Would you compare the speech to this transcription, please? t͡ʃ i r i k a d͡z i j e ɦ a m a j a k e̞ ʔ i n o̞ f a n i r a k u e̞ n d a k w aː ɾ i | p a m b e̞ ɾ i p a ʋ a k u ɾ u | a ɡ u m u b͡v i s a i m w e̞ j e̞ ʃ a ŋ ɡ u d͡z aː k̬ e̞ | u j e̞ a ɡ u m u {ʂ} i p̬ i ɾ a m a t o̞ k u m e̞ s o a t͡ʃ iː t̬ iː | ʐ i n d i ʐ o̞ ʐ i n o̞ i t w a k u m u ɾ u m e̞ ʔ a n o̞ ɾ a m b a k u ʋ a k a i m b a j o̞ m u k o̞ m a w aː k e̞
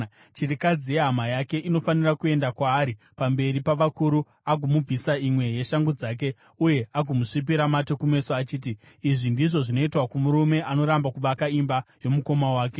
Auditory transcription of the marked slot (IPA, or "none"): ʂ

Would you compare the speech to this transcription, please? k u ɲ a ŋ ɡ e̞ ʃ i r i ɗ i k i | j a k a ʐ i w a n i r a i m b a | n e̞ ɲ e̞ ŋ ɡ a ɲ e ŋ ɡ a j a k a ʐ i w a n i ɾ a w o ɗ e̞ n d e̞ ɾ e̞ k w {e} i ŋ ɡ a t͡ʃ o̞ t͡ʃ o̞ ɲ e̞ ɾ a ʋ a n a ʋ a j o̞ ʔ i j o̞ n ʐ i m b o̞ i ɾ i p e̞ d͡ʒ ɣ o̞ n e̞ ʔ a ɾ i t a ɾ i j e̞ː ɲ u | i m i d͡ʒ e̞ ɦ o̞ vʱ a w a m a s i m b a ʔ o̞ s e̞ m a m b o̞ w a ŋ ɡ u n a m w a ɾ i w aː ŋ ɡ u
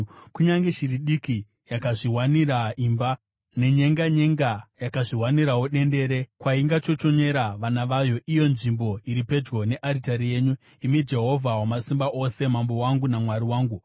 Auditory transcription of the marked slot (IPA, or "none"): a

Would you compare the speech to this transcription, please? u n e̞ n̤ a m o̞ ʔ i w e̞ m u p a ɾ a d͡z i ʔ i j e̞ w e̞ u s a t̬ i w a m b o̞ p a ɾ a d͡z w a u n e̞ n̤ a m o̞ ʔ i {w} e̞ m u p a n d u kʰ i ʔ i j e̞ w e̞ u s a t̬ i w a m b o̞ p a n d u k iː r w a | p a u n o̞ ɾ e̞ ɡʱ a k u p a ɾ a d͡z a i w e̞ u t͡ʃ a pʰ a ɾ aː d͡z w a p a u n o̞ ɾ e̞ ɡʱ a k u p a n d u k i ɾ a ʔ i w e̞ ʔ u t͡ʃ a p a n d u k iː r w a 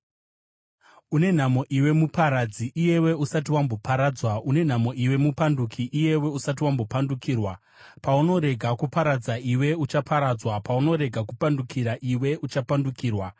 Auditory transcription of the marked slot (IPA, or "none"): w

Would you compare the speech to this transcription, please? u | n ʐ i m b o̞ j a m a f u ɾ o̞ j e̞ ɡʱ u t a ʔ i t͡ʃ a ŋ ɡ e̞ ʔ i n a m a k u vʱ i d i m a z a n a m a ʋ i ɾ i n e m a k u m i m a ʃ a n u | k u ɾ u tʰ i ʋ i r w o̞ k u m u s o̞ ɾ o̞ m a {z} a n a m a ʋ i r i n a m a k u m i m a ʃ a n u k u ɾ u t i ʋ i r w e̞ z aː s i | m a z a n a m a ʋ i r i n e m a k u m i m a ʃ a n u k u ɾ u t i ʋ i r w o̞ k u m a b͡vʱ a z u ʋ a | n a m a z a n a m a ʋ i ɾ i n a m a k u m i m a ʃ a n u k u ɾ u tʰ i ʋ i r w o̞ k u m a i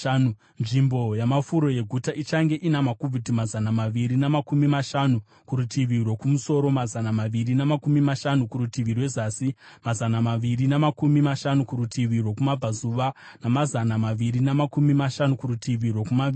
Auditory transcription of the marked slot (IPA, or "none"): z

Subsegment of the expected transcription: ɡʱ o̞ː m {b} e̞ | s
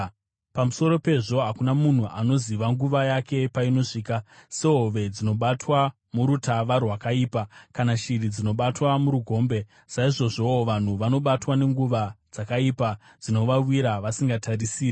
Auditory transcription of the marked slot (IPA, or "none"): b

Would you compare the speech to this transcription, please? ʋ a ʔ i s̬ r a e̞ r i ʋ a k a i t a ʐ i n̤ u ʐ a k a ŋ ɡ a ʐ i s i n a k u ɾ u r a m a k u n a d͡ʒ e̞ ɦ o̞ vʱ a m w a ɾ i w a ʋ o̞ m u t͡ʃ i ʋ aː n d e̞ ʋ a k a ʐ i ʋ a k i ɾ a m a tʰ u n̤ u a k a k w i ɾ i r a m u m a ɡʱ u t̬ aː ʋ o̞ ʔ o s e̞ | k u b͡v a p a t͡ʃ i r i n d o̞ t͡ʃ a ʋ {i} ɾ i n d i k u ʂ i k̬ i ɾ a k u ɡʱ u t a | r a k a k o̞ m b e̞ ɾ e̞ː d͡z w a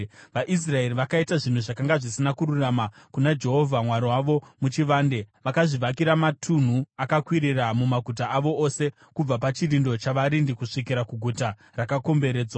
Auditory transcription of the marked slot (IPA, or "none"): a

